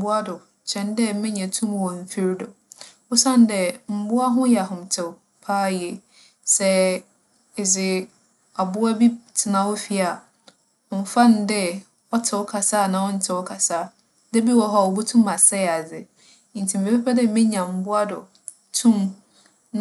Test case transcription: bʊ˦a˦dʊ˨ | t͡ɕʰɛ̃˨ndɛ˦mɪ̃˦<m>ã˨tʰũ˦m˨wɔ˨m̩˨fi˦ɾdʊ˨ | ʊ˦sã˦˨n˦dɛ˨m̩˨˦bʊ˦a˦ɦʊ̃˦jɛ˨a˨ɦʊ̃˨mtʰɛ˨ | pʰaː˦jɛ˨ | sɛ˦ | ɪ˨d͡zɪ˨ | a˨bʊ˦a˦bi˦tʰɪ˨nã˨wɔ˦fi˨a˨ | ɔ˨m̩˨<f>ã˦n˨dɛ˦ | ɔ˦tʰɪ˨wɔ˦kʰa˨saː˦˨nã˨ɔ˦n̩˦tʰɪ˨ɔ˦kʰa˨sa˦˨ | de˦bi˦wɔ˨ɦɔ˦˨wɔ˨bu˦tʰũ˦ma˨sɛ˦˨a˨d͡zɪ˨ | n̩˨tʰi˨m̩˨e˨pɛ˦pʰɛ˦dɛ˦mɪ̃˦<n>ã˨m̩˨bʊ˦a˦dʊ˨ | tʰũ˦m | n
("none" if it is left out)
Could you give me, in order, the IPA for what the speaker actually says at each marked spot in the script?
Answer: ɲ, f, ɲ

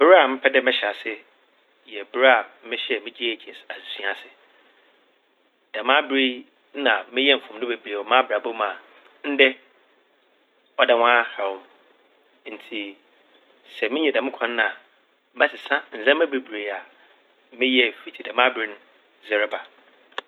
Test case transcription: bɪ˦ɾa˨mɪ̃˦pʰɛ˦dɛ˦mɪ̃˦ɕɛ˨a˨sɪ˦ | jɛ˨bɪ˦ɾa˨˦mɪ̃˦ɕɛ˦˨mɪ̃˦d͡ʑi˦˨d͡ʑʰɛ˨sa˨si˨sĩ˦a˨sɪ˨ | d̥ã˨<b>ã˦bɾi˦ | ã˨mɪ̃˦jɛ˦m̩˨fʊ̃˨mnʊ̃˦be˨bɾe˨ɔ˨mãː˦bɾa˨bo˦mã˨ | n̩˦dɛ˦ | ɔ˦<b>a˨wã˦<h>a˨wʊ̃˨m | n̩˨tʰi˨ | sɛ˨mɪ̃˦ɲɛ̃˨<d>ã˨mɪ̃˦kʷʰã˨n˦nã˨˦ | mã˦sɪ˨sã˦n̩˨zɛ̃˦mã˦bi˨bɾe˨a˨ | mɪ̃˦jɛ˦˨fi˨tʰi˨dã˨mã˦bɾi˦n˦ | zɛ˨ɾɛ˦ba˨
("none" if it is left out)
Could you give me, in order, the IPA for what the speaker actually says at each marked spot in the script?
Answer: m, d, h, d

